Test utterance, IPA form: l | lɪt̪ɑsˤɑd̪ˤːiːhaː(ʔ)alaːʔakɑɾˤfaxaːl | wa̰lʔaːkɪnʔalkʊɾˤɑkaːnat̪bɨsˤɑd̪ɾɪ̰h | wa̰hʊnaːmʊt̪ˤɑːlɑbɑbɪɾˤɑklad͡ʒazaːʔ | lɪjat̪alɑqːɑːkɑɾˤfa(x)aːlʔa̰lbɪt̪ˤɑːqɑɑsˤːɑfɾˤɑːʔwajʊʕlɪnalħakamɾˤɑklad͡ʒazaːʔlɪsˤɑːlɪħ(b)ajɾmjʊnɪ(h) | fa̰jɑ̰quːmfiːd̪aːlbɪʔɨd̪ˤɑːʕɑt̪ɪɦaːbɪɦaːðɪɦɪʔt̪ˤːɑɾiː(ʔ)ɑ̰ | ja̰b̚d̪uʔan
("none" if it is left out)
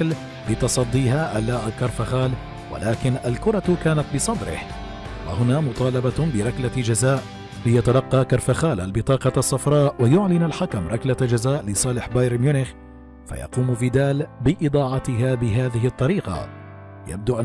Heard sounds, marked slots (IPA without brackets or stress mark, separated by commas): ʔ, x, b, x, q